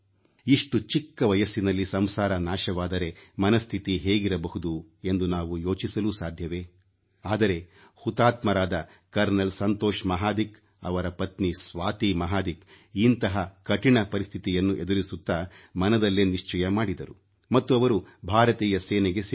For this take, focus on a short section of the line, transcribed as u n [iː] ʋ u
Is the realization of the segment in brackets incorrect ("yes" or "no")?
yes